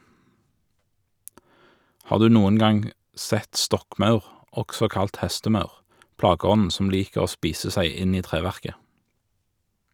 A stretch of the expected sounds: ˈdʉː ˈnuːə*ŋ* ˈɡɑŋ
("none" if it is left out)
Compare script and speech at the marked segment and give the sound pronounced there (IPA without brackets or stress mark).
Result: n